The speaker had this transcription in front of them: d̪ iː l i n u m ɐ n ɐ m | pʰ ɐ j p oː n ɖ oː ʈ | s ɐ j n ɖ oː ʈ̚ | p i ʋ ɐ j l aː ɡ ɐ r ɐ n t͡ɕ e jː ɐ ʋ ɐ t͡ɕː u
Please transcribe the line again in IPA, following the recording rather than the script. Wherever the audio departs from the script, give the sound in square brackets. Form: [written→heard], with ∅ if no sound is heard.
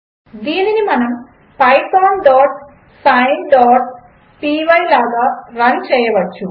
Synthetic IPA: d̪ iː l i n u m ɐ n ɐ m | [pʰ→p] ɐ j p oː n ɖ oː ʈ | s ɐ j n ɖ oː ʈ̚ | p i ʋ ɐ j l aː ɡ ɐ r ɐ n t͡ɕ e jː ɐ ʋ ɐ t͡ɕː u

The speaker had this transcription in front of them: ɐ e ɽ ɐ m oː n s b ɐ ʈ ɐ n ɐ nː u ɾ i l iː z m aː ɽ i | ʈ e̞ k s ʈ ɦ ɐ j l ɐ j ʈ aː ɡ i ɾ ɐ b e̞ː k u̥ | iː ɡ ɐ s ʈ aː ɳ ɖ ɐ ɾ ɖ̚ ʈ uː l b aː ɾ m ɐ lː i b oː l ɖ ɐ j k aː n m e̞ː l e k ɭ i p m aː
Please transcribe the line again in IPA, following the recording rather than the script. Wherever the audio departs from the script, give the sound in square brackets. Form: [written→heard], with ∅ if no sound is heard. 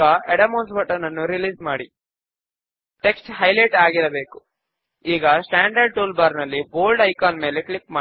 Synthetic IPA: ɐ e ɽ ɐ m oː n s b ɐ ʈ ɐ n ɐ nː u ɾ i l iː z m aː ɽ i | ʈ e̞ k s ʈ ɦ ɐ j l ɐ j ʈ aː ɡ i ɾ ɐ b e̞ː k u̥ | iː ɡ ɐ s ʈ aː ɳ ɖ ɐ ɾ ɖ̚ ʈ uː l b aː ɾ [m→n] ɐ lː i b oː l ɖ ɐ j k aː n m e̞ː l e k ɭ i p m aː

